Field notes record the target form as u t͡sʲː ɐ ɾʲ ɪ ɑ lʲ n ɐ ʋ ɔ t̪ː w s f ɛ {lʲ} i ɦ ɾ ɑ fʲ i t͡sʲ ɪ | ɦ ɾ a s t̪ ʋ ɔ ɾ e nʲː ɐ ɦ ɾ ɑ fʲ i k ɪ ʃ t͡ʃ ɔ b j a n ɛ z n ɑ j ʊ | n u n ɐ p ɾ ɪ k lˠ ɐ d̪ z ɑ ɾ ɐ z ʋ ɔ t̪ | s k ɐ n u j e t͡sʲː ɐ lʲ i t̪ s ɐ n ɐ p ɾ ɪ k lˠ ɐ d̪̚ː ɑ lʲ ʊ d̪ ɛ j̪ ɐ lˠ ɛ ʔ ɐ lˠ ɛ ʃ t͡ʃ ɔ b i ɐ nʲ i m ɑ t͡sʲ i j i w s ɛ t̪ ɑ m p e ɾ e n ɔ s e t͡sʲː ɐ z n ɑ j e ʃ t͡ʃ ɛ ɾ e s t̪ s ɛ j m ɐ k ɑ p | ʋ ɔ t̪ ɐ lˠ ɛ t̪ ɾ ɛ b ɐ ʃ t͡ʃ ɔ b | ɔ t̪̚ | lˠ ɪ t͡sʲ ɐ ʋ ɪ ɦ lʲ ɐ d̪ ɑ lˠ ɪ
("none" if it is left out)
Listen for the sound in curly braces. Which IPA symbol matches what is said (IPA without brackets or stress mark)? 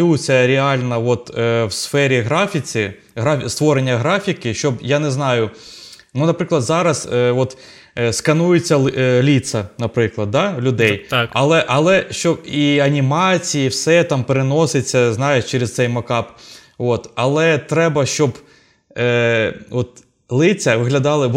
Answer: ɾʲ